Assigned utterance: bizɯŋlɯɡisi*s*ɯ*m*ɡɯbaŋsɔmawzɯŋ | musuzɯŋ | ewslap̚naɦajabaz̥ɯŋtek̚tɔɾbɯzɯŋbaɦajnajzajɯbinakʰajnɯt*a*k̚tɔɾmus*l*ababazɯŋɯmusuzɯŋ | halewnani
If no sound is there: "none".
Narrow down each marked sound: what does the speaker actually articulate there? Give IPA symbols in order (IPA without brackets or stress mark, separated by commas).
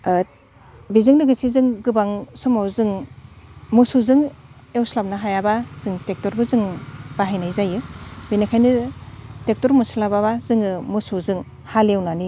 z, ŋ, e, l